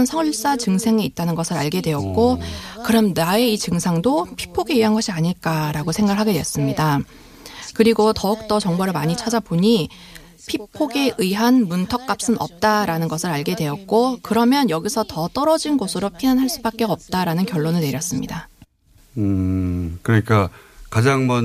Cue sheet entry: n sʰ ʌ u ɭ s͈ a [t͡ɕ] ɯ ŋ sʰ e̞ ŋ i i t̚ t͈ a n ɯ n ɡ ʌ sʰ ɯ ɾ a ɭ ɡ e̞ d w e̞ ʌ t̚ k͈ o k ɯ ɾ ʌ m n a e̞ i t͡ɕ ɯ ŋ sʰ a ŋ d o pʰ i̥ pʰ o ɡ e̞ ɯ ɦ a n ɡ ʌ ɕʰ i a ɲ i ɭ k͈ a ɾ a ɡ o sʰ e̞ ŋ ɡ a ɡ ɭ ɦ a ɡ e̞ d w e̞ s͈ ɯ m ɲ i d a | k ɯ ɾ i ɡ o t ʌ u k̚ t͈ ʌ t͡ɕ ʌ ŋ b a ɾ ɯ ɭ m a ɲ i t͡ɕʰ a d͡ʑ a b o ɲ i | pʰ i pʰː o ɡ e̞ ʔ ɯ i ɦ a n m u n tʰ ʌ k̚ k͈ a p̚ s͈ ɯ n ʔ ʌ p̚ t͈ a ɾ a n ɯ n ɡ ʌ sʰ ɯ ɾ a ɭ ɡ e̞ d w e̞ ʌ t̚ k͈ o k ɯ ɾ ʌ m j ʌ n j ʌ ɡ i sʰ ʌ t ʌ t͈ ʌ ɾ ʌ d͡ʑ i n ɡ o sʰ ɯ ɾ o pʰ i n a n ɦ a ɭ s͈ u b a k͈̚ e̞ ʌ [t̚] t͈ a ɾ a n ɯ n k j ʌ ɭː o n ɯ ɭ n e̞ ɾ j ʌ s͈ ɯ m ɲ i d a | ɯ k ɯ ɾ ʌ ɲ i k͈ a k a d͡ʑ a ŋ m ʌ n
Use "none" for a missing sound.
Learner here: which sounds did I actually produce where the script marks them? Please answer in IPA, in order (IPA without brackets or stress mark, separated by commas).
t͡ɕ, p̚